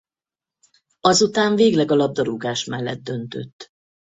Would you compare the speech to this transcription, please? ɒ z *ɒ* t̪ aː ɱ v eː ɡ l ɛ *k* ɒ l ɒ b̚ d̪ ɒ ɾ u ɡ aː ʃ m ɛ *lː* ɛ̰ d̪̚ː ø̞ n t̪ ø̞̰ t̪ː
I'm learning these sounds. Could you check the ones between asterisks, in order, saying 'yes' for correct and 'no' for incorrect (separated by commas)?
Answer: no, no, yes